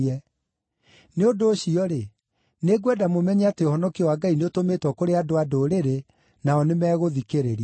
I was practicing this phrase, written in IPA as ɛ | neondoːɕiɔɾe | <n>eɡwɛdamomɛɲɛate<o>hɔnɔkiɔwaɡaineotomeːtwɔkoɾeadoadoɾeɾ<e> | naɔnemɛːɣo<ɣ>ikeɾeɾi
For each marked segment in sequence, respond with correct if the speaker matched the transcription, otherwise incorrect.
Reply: correct, correct, correct, incorrect: ð

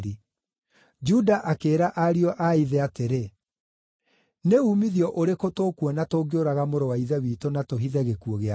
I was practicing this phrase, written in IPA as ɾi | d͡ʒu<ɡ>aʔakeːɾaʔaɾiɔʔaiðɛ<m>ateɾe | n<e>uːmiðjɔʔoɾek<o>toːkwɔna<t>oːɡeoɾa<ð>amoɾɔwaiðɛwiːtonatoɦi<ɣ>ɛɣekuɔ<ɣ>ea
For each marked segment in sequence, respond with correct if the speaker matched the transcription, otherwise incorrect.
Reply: incorrect: d, incorrect: none, correct, correct, correct, incorrect: ɣ, incorrect: ð, correct

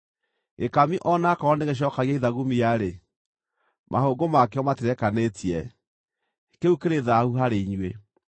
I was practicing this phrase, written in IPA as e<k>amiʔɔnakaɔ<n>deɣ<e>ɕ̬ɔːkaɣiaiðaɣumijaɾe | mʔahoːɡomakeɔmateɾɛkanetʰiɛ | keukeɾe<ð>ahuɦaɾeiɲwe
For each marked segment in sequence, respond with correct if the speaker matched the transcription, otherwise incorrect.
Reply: correct, correct, correct, correct

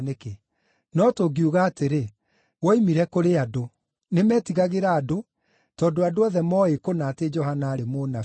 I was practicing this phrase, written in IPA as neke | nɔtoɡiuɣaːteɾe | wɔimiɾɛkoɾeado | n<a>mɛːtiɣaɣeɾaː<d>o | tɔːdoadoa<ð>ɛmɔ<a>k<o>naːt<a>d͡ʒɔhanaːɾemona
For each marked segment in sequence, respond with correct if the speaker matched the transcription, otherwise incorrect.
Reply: incorrect: e, correct, correct, incorrect: e, correct, incorrect: e

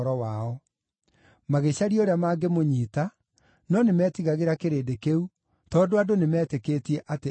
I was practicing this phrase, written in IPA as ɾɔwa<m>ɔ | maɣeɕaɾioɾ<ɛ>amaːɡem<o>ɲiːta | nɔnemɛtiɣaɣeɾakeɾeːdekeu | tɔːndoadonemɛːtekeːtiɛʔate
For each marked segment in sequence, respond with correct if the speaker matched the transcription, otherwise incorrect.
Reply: incorrect: none, incorrect: e, correct

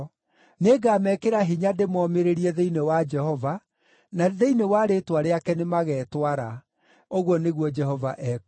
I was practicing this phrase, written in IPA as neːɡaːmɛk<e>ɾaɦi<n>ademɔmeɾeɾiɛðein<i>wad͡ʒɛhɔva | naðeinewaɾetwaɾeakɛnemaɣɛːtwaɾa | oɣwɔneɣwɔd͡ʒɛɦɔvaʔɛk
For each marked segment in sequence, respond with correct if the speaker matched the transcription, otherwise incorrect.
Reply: correct, incorrect: ɲ, incorrect: e

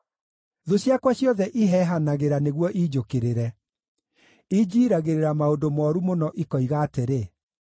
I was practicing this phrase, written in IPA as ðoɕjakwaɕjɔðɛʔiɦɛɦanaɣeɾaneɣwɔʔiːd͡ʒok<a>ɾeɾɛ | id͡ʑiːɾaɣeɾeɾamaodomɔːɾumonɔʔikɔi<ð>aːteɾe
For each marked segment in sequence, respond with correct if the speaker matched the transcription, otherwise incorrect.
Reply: incorrect: e, incorrect: ɣ

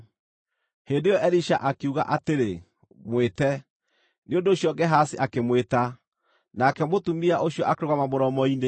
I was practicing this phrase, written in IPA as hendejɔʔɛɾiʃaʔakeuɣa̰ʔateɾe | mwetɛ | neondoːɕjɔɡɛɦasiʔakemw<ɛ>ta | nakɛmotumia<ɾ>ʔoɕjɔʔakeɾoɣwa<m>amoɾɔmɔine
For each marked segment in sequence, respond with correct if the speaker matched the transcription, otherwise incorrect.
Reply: incorrect: e, incorrect: none, correct

